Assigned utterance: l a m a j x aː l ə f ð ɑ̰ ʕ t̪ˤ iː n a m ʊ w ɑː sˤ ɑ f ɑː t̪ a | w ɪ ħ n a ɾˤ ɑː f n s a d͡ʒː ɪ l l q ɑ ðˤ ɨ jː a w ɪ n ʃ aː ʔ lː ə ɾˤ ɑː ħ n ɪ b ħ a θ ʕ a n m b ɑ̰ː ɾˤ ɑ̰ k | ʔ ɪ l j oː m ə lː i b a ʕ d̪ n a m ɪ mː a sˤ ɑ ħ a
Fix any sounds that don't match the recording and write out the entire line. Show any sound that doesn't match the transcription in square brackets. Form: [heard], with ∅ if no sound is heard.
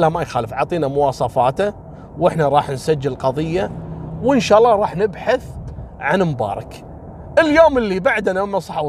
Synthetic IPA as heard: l a m a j x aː l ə f [ʕ] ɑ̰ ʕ t̪ˤ iː n a m ʊ w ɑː sˤ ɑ f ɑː t̪ a | w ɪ ħ n a ɾˤ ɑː [ħ] n s a d͡ʒː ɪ l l q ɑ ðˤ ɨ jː a w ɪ n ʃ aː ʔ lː [ɑ] ɾˤ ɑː ħ n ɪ b ħ a θ ʕ a n m b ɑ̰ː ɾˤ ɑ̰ k | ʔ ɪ l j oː m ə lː i b a ʕ d̪ n a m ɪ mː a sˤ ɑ ħ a